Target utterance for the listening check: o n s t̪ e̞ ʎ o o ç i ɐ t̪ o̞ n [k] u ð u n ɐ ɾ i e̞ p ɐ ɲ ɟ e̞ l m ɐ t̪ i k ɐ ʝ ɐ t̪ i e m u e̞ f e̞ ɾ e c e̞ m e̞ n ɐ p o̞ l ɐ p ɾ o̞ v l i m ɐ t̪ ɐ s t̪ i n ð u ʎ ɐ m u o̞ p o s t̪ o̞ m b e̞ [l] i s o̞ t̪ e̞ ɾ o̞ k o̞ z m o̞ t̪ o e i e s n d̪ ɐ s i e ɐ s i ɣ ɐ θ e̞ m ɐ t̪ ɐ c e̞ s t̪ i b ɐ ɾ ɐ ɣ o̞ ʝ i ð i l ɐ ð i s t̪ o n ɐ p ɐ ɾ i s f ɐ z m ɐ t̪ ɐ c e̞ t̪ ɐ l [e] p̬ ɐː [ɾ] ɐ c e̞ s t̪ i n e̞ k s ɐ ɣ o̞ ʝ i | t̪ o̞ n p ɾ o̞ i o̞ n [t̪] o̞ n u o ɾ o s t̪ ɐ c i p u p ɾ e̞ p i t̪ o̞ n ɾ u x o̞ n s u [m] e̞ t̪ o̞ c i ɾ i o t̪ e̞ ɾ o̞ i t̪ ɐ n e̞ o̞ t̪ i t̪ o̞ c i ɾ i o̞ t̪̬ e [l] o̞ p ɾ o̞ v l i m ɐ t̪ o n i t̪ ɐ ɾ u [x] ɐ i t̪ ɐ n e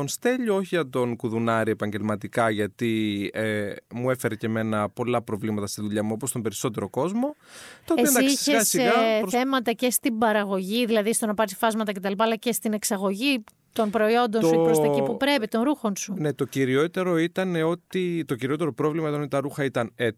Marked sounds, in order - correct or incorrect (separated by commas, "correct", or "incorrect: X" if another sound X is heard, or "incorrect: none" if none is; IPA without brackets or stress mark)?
correct, incorrect: ɾ, incorrect: i, incorrect: l, incorrect: d̪, incorrect: n, incorrect: ɾ, correct